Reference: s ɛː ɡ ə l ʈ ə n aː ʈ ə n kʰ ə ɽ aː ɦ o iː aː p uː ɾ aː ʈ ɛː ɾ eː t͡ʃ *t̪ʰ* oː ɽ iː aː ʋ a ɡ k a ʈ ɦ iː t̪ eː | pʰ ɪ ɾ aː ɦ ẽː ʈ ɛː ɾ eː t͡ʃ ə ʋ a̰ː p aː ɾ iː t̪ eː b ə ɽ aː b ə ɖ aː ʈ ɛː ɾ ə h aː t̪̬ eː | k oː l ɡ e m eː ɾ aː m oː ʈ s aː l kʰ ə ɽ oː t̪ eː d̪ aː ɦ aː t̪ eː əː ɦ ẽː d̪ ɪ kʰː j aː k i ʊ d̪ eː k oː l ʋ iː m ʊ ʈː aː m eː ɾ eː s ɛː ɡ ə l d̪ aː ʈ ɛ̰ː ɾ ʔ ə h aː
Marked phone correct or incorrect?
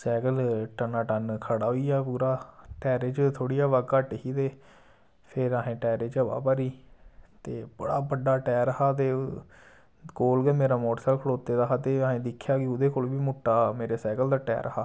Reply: correct